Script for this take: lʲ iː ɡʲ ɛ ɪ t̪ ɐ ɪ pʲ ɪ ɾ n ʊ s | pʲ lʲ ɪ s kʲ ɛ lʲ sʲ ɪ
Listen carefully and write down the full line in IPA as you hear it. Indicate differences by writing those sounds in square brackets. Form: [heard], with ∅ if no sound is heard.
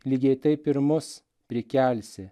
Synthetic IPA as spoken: lʲ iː ɡʲ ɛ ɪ t̪ ɐ ɪ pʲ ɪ ɾ [m] ʊ s | pʲ [ɾʲ] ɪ [∅] kʲ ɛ lʲ sʲ ɪ